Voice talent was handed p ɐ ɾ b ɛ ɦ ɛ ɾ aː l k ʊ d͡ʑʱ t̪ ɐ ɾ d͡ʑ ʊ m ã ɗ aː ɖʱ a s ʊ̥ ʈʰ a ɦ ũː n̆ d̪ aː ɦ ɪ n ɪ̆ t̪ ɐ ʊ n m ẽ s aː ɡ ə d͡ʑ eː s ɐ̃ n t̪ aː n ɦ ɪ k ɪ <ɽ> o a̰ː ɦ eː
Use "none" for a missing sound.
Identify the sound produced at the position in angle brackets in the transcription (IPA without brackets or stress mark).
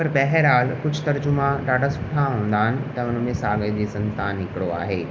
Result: ɽ